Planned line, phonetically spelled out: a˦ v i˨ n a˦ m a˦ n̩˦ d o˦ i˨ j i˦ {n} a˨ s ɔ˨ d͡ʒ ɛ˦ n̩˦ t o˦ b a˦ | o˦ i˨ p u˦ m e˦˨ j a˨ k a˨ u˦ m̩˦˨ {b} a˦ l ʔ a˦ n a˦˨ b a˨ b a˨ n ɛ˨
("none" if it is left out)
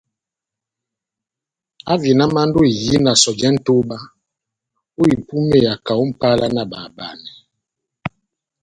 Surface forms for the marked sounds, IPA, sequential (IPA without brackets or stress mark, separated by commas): n, p